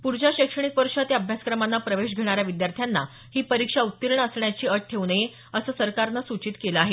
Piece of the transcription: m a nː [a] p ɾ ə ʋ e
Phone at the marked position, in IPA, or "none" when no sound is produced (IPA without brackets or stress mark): a